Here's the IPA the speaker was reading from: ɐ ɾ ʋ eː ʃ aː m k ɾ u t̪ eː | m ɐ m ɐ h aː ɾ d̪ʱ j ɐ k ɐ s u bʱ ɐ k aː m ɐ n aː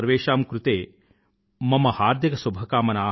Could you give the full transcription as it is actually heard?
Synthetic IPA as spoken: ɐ ɾ ʋ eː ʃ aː m k ɾ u t̪ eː | m ɐ m ɐ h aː ɾ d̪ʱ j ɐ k ɐ s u bʱ ɐ k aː m ɐ n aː